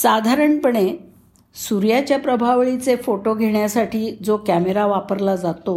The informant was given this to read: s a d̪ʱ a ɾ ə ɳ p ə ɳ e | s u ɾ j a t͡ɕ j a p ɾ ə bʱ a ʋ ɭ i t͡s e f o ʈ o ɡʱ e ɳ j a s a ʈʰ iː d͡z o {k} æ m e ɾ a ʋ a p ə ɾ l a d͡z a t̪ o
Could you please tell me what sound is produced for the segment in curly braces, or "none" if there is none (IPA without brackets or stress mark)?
k